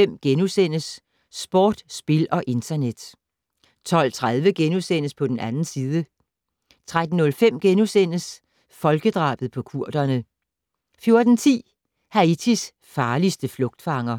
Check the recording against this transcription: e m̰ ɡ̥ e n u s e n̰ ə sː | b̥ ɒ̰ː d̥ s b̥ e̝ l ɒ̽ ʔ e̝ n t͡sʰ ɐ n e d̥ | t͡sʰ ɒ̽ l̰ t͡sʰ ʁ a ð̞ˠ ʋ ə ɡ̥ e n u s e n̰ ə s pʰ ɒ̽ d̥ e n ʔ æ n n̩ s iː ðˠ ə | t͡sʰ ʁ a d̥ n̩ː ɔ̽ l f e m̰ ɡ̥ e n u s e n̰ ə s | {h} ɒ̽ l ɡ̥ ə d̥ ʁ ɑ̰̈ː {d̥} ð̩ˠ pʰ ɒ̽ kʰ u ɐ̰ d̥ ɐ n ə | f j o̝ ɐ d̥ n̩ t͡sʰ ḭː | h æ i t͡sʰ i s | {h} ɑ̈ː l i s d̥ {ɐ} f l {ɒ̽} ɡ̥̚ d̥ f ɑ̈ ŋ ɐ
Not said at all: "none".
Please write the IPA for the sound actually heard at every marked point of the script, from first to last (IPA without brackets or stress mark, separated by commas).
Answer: f, b̥, f, ə, ɔ̽